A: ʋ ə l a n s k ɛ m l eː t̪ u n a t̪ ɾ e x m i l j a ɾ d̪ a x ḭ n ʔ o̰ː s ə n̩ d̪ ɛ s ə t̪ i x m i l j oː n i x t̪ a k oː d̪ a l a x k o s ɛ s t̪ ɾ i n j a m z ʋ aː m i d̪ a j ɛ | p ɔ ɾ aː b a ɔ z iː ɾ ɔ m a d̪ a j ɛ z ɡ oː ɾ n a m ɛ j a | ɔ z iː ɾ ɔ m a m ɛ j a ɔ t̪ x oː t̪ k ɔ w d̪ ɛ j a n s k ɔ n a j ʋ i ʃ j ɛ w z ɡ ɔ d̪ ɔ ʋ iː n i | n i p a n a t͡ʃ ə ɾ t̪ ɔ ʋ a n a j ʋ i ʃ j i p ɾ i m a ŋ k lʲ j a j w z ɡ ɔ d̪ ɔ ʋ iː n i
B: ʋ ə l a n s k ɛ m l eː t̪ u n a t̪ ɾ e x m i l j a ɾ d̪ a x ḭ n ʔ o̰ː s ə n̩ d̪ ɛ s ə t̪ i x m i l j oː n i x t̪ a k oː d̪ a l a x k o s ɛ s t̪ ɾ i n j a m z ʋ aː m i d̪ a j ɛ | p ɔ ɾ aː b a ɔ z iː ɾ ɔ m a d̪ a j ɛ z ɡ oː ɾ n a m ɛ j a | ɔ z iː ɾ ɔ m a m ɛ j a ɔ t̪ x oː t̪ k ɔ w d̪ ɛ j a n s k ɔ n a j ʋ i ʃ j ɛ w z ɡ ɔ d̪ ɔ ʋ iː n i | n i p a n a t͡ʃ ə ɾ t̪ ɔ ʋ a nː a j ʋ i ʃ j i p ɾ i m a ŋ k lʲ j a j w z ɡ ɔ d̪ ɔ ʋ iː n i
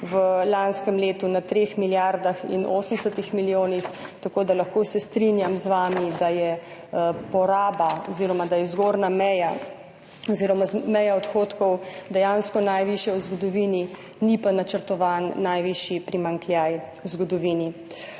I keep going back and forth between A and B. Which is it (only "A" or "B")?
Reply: B